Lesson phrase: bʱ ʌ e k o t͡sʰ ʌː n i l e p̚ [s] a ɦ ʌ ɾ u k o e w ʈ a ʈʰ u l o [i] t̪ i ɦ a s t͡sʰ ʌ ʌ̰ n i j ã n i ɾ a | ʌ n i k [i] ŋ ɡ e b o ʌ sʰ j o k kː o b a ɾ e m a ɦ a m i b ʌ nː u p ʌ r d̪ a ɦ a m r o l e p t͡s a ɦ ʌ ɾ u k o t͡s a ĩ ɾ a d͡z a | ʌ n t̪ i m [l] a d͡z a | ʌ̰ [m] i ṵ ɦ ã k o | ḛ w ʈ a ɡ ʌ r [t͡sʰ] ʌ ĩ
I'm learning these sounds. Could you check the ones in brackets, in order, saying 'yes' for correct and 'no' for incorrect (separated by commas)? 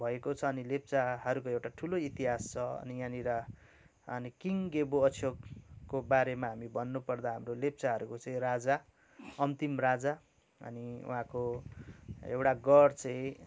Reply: no, yes, yes, no, no, no